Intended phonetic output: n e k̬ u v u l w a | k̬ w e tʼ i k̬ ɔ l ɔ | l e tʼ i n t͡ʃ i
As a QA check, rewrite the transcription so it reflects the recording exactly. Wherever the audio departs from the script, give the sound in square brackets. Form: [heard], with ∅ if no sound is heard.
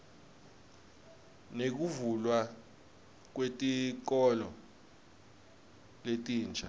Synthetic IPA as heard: n e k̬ u v u l w a | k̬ w e tʼ i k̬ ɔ l ɔ | l e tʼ [iː] n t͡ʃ [a]